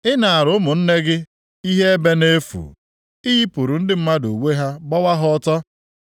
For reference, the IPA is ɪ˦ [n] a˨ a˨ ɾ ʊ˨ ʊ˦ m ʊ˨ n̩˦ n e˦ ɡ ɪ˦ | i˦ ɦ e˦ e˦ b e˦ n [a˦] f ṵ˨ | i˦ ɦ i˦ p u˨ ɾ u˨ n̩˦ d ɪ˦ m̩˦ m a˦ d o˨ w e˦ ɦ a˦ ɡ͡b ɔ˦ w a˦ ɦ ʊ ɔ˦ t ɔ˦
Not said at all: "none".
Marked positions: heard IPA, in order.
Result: n, e˦

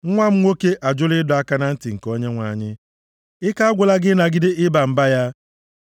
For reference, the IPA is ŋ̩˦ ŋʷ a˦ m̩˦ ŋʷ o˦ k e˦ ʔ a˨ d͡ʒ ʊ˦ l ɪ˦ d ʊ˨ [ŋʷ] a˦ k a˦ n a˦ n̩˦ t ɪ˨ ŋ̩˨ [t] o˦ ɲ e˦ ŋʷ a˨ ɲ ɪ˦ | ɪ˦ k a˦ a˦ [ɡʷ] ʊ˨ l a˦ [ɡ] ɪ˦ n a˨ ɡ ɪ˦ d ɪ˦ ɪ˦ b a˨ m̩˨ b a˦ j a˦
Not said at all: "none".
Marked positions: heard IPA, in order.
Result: none, k, ɡʷ, ɡ

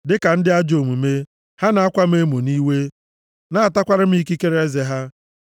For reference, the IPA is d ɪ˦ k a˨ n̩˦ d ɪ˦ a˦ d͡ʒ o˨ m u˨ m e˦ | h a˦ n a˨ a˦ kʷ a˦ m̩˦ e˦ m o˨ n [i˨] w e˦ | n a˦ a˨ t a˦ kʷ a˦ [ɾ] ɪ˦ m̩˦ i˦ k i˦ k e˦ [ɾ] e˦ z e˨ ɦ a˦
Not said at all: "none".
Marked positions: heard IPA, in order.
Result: i˦, ɾ, ɾ

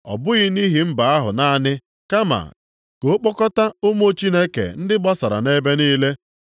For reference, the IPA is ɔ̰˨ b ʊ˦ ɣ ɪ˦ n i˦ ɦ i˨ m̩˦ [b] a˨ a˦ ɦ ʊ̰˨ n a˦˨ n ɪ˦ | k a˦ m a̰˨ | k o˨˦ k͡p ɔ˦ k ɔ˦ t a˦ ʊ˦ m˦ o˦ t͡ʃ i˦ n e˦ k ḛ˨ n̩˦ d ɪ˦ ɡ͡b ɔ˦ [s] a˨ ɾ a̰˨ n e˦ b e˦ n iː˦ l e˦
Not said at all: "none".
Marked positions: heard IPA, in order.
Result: b, s

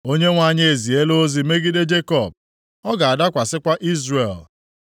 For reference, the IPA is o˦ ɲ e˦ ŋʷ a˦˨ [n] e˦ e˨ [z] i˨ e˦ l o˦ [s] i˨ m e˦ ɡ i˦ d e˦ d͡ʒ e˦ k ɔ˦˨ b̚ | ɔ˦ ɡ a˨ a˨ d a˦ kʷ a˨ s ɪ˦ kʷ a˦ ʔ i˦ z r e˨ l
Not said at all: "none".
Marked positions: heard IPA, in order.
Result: ɲ, z, z

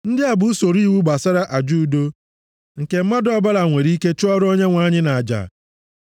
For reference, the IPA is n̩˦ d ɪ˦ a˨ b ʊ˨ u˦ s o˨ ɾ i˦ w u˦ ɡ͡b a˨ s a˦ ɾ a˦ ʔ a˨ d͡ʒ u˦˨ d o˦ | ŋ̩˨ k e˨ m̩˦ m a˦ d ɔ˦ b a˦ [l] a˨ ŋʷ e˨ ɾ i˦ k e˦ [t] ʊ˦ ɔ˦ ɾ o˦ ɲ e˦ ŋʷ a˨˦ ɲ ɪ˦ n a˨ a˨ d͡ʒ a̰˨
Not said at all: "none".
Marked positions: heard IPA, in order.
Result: l, t͡ʃ

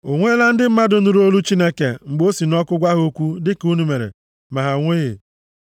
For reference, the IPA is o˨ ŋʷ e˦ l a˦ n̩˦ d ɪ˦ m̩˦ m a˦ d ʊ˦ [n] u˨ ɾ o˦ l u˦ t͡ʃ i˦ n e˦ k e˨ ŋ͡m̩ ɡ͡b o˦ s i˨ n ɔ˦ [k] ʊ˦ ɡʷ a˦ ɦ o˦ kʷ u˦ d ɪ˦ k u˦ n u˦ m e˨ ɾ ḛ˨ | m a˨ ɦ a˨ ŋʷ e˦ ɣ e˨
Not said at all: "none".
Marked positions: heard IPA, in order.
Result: n, k

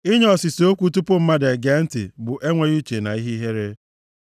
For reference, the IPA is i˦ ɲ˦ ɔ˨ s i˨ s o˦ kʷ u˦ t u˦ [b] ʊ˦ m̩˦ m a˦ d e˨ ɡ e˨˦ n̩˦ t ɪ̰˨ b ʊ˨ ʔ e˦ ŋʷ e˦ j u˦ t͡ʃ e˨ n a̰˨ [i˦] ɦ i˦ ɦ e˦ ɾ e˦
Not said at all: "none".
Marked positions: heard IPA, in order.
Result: p, i˦

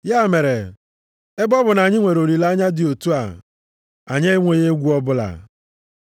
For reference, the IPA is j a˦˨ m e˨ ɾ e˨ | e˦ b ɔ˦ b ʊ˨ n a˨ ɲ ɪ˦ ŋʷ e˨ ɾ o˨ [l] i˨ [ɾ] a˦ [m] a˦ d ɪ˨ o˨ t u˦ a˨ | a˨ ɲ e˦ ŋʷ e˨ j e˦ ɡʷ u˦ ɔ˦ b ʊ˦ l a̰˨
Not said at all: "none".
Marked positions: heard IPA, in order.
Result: ɾ, l, ɲ

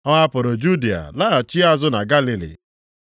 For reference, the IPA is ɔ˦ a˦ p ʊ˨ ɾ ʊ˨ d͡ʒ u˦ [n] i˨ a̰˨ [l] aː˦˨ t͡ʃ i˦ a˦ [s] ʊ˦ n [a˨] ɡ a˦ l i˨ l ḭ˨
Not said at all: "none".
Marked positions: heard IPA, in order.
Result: d, l, z, a˨

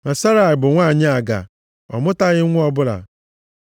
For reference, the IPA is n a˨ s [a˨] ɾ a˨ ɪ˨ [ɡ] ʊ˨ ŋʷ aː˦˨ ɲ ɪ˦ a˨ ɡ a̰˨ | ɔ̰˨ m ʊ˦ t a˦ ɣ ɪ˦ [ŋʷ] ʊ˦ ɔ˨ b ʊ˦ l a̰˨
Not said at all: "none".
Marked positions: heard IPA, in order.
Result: a˦, b, ŋʷ

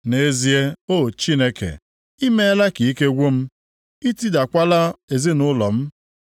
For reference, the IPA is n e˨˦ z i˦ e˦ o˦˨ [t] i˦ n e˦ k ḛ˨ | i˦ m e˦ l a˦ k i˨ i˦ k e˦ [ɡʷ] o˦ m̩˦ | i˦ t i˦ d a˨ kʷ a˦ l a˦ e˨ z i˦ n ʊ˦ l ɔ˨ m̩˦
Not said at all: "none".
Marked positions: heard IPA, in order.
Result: t͡ʃ, ɡʷ

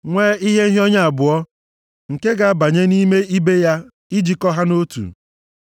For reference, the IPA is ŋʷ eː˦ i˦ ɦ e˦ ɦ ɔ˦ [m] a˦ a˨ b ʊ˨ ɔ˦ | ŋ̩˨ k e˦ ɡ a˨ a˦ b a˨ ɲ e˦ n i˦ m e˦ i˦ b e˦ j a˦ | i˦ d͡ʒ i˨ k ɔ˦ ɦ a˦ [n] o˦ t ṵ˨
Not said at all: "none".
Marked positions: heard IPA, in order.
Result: ɲ, n

